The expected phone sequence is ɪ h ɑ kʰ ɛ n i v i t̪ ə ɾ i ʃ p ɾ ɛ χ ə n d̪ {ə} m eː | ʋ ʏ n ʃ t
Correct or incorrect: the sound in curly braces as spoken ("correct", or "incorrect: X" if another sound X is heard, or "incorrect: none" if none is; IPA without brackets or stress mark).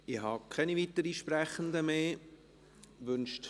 correct